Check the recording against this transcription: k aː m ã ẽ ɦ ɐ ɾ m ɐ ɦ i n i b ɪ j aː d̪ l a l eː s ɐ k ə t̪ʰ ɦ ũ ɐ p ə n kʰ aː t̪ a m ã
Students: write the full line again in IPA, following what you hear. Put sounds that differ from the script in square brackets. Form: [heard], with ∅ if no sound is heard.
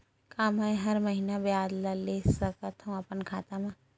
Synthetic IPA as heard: k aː m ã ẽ ɦ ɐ ɾ m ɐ ɦ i n [a] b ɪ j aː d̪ l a l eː s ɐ k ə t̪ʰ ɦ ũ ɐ p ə n kʰ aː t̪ a m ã